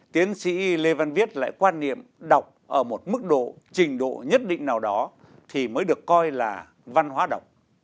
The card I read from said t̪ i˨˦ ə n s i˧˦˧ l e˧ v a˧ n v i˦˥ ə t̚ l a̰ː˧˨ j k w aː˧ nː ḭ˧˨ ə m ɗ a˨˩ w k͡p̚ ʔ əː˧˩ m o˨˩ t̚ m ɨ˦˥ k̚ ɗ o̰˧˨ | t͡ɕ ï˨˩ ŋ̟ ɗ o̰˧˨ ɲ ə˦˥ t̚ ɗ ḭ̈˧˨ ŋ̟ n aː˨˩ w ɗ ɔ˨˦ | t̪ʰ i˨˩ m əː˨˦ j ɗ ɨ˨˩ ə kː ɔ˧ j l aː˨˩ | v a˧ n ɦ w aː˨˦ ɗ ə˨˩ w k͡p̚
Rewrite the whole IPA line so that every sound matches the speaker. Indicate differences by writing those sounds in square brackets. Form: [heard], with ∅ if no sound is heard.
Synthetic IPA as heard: t̪ i˨˦ ə n s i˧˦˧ l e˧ v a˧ n v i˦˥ ə t̚ l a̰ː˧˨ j k w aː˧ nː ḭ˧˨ ə m ɗ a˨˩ w k͡p̚ ʔ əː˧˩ m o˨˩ t̚ m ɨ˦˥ k̚ ɗ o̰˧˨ | t͡ɕ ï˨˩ ŋ̟ ɗ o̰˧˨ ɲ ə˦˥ t̚ ɗ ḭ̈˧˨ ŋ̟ n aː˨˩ w ɗ ɔ˨˦ | t̪ʰ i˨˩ m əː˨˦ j ɗ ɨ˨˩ ə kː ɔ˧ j l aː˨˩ | v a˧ n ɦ w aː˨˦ ɗ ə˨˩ w k͡p̚